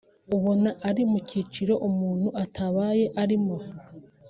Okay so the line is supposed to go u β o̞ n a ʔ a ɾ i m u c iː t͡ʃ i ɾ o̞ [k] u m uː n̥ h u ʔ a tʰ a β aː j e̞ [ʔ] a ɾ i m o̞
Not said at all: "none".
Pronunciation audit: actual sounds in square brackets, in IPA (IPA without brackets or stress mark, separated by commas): ʔ, ʔ